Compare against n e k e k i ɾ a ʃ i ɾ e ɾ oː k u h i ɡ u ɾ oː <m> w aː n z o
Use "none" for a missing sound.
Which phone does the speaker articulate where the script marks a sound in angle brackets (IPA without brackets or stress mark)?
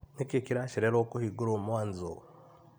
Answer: m